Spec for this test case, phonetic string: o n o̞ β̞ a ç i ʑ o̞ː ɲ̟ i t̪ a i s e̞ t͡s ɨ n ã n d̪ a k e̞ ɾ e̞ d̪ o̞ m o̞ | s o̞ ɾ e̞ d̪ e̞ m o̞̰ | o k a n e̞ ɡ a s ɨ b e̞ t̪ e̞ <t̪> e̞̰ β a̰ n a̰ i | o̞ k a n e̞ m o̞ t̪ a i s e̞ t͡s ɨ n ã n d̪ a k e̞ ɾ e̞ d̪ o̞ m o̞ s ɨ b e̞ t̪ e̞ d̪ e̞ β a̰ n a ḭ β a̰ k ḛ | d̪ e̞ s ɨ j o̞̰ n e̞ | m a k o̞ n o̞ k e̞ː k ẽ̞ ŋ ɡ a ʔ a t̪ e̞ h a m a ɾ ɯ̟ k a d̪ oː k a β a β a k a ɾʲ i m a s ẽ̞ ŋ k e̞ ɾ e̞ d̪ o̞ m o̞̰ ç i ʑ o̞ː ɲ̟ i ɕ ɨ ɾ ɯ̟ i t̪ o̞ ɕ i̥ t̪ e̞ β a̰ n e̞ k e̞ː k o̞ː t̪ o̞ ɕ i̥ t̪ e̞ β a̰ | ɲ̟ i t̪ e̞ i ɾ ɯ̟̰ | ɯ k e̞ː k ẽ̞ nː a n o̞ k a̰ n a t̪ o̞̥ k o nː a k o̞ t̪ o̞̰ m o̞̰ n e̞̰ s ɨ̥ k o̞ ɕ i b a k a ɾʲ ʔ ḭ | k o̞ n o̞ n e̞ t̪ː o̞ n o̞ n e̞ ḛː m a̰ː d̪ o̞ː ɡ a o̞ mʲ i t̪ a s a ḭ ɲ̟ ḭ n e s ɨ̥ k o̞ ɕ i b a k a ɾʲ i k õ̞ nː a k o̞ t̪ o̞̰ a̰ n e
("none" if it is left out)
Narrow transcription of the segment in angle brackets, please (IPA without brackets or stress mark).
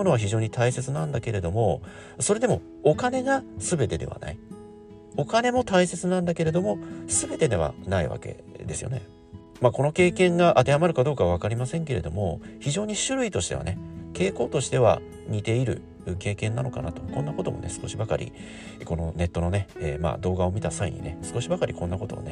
d̪